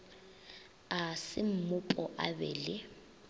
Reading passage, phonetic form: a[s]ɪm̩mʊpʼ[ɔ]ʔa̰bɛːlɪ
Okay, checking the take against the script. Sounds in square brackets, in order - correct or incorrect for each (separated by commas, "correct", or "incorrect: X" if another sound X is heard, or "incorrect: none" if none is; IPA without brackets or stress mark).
correct, correct